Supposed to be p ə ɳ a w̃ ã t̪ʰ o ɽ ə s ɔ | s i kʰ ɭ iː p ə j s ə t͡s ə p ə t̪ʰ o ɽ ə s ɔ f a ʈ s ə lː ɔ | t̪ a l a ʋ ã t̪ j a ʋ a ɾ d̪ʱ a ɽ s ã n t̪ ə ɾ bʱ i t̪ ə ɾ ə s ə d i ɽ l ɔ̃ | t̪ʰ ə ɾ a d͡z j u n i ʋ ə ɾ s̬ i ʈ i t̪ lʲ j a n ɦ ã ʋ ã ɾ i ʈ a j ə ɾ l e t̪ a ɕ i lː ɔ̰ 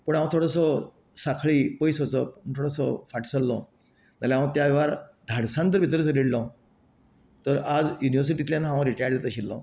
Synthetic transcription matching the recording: p ə ɳ a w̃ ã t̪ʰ o ɽ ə s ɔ | s a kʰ ɭ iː p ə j s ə t͡s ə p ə t̪ʰ o ɽ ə s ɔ f a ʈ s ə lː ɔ | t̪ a l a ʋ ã t̪ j a ʋ a ɾ d̪ʱ a ɽ s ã n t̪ ə ɾ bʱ i t̪ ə ɾ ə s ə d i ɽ l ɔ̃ | t̪ ə ɾ a d͡z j u n i ʋ ə ɾ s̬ i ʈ i t̪ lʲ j a n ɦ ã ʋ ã ɾ i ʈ a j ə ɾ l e t̪ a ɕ i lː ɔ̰